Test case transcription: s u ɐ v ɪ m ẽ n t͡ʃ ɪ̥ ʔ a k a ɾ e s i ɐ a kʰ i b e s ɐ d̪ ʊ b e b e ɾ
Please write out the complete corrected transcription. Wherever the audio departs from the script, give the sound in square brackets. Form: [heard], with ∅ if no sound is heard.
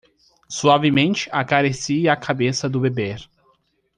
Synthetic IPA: s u [a] v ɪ m ẽ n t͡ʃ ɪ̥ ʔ a k a ɾ e s i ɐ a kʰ [a] b e s ɐ d̪ ʊ b e b e ɾ